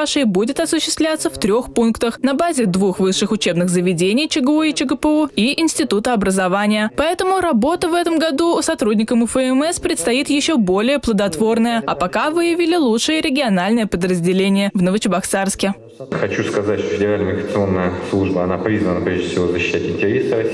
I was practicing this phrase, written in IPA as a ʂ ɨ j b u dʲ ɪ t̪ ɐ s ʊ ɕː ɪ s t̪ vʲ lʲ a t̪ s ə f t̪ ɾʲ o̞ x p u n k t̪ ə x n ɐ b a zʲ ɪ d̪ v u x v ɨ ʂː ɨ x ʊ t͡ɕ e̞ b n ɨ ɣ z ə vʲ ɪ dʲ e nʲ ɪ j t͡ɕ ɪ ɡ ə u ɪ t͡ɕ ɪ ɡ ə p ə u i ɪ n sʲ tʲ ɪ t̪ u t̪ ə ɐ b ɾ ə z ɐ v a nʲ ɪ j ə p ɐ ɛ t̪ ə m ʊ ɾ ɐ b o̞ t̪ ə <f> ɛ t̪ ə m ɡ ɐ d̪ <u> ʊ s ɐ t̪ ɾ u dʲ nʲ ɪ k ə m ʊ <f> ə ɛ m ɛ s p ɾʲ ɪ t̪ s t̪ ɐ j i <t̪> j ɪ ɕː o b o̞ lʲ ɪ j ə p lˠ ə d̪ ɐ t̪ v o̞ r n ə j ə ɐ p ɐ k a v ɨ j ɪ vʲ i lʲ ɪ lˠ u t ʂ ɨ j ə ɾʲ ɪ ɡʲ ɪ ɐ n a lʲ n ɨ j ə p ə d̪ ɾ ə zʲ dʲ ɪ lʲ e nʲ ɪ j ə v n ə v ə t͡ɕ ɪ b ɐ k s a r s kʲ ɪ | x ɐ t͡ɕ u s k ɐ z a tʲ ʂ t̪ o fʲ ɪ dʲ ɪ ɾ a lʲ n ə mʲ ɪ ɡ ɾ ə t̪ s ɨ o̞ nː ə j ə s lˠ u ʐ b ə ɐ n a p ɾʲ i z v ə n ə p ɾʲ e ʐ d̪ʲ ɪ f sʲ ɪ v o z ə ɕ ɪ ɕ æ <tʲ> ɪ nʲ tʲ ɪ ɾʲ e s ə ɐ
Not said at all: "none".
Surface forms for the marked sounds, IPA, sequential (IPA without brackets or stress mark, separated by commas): v, u, f, t̪, tʲ